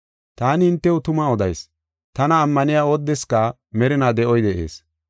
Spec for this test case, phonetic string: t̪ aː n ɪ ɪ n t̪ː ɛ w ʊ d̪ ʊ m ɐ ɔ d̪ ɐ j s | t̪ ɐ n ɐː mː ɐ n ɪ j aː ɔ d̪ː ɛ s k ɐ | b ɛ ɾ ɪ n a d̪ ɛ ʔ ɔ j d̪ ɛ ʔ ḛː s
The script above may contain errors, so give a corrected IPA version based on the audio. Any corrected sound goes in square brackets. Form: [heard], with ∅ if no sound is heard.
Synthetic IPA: t̪ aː n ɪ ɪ n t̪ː ɛ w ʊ [t̪] ʊ m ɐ ɔ d̪ ɐ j s | t̪ ɐ n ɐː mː ɐ n ɪ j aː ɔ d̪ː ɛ s k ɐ | [m] ɛ ɾ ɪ n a d̪ ɛ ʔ ɔ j d̪ ɛ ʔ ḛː s

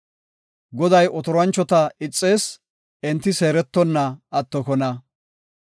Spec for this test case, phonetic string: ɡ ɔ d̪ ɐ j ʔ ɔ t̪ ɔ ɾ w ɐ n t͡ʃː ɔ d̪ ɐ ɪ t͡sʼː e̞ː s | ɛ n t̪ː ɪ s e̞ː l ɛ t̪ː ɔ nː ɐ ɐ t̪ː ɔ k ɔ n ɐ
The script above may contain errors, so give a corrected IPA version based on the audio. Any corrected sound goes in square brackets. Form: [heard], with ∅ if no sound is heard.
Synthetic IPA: ɡ ɔ d̪ ɐ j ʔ ɔ t̪ ɔ ɾ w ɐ n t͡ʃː ɔ [t̪] ɐ ɪ t͡sʼː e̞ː s | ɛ n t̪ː ɪ s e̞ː [ɾ] ɛ t̪ː ɔ nː ɐ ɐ t̪ː ɔ k ɔ n ɐ

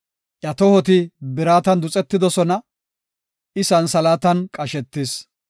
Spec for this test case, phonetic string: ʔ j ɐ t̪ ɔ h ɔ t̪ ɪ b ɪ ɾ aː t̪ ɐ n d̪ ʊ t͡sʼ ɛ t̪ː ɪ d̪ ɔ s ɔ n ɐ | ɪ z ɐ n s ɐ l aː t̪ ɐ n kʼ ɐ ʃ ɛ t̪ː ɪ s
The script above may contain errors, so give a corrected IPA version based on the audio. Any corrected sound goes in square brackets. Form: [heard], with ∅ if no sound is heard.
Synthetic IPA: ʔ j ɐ t̪ ɔ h ɔ t̪ ɪ b ɪ ɾ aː t̪ ɐ n d̪ ʊ t͡sʼ ɛ t̪ː ɪ d̪ ɔ s ɔ n ɐ | ɪ [s] ɐ n s ɐ l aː t̪ ɐ n kʼ ɐ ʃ ɛ t̪ː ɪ s

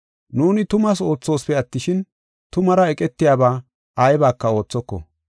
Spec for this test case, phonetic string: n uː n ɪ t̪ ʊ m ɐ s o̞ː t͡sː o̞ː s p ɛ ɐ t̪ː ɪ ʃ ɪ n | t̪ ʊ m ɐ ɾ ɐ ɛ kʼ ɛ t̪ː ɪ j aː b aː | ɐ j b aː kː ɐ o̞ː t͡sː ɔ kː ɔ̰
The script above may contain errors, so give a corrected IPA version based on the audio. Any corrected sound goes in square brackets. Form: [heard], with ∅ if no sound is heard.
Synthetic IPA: n uː n ɪ t̪ ʊ m ɐ s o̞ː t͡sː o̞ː s p ɛ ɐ t̪ː ɪ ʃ ɪ n | t̪ ʊ m ɐ ɾ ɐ ɛ kʼ ɛ t̪ː ɪ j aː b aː | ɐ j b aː kː ɐ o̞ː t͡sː ɔ kː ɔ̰

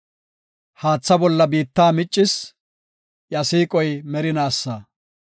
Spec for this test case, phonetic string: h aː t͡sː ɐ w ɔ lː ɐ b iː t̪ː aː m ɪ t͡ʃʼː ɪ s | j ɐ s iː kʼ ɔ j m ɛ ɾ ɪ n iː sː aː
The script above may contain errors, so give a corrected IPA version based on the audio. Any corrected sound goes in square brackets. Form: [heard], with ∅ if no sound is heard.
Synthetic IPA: h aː t͡sː ɐ [b] ɔ lː ɐ b iː t̪ː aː m ɪ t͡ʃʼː ɪ s | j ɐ s iː kʼ ɔ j m ɛ ɾ ɪ n [aː] sː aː

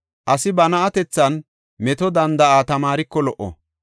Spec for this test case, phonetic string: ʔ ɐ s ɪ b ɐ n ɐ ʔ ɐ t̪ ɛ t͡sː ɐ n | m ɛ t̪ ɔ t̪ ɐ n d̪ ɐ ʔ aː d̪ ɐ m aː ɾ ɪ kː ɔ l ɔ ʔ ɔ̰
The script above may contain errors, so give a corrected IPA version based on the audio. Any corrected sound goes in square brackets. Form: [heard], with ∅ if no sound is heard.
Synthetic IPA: ʔ ɐ s ɪ b ɐ n ɐ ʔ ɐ t̪ ɛ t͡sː ɐ n | m ɛ t̪ ɔ [d̪] ɐ n d̪ ɐ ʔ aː [t̪] ɐ m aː ɾ ɪ kː ɔ l ɔ ʔ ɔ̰

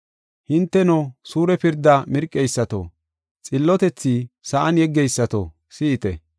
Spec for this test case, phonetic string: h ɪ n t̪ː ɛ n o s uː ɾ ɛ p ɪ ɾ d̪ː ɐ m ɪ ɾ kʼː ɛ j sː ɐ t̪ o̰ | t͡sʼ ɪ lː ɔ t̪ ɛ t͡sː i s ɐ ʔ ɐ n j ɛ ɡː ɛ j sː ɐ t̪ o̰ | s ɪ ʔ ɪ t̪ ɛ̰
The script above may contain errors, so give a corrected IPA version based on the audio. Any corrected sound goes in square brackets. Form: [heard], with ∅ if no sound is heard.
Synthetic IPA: h ɪ n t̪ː ɛ n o s uː ɾ ɛ p ɪ ɾ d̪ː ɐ m ɪ ɾ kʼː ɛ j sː ɐ t̪ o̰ | t͡sʼ ɪ lː ɔ t̪ ɛ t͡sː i s ɐ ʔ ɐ n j ɛ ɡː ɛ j sː ɐ t̪ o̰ | s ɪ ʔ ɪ t̪ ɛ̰

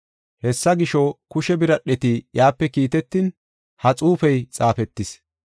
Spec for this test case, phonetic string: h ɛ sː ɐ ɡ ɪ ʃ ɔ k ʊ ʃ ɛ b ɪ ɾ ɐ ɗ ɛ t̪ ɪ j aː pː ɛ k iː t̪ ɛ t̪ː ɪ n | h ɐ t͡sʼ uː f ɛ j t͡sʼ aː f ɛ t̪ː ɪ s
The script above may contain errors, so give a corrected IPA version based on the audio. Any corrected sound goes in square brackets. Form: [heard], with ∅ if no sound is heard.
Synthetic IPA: h ɛ sː ɐ ɡ ɪ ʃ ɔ k ʊ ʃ ɛ b ɪ ɾ ɐ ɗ ɛ t̪ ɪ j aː pː ɛ k iː t̪ ɛ t̪ː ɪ n | h ɐ t͡sʼ uː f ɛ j t͡sʼ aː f ɛ t̪ː ɪ s

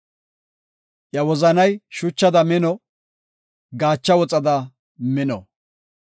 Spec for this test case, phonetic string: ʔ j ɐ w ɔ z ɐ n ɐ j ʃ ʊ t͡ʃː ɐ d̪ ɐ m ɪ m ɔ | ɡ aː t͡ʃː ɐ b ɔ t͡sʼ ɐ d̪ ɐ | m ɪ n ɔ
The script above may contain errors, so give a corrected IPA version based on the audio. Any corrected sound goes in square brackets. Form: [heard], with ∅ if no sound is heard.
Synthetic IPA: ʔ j ɐ w ɔ z ɐ n ɐ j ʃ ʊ t͡ʃː ɐ d̪ ɐ m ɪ [n] ɔ | ɡ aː t͡ʃː ɐ [w] ɔ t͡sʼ ɐ d̪ ɐ | m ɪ n ɔ

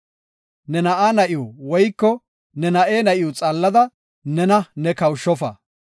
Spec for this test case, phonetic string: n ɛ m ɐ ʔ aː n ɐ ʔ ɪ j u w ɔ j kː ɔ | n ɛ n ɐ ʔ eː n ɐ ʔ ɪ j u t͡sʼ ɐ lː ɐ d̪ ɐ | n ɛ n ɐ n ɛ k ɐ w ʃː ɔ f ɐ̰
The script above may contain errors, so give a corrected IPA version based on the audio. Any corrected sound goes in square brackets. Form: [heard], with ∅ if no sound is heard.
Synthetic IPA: n ɛ [n] ɐ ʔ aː n ɐ ʔ ɪ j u w ɔ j kː ɔ | n ɛ n ɐ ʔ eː n ɐ ʔ ɪ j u t͡sʼ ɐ lː ɐ d̪ ɐ | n ɛ n ɐ n ɛ k ɐ w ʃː ɔ f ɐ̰

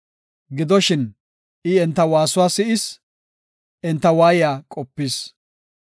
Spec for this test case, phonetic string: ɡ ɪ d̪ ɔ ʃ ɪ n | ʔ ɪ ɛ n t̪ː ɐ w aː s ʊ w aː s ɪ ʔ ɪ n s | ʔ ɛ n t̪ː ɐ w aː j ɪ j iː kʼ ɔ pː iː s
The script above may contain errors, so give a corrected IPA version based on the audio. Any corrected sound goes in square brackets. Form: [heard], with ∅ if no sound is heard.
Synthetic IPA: ɡ ɪ d̪ ɔ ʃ ɪ n | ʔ ɪ ɛ n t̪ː ɐ w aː s ʊ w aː s ɪ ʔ ɪ [∅] s | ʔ ɛ n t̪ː ɐ w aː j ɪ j [aː] kʼ ɔ pː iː s

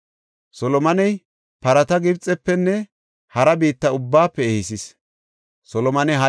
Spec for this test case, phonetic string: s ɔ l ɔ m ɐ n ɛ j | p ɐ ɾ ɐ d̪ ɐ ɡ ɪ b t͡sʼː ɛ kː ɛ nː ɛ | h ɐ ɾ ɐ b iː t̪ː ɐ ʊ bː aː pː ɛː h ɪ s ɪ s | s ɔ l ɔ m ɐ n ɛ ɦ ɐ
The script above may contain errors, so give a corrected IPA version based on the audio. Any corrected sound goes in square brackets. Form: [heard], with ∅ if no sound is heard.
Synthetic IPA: s ɔ l ɔ m ɐ n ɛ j | p ɐ ɾ ɐ [t̪] ɐ ɡ ɪ b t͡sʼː ɛ [pː] ɛ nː ɛ | h ɐ ɾ ɐ b iː t̪ː ɐ ʊ bː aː pː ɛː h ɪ s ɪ s | s ɔ l ɔ m ɐ n ɛ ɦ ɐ

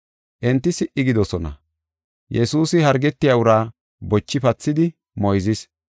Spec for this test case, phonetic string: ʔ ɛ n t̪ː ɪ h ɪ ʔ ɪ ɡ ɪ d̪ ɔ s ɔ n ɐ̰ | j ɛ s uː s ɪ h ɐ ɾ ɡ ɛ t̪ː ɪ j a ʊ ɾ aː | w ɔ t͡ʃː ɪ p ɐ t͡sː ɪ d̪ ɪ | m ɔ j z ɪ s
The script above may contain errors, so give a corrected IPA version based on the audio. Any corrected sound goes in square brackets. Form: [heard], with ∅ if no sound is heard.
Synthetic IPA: ʔ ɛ n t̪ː ɪ [s] ɪ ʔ ɪ ɡ ɪ d̪ ɔ s ɔ n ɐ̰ | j ɛ s uː s ɪ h ɐ ɾ ɡ ɛ t̪ː ɪ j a ʊ ɾ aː | [b] ɔ t͡ʃː ɪ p ɐ t͡sː ɪ d̪ ɪ | m ɔ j z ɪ s

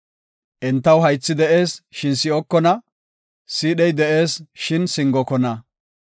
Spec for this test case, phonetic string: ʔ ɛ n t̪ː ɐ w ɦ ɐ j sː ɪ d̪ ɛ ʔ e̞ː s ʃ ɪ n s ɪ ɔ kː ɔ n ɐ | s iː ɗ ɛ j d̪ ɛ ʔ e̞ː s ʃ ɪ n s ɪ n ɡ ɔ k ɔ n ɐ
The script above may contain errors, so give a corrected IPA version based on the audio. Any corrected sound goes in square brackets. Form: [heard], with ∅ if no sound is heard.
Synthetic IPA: ʔ ɛ n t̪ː ɐ w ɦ ɐ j [t͡sː] ɪ d̪ ɛ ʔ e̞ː s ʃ ɪ n s ɪ ɔ kː ɔ n ɐ | s iː ɗ ɛ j d̪ ɛ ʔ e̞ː s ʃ ɪ n s ɪ [ŋ] ɡ ɔ k ɔ n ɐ

